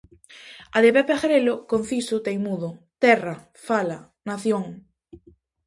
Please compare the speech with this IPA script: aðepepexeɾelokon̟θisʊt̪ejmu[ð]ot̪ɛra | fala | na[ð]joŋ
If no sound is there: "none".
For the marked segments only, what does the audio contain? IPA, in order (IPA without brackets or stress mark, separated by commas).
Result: ð, θ